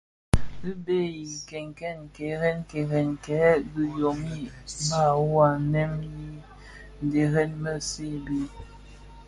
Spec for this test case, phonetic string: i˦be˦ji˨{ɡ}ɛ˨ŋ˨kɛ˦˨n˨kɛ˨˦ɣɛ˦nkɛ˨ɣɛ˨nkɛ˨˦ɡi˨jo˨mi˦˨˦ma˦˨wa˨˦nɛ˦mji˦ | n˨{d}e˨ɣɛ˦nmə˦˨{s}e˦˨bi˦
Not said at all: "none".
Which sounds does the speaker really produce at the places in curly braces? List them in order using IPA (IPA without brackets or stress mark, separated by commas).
k, d, s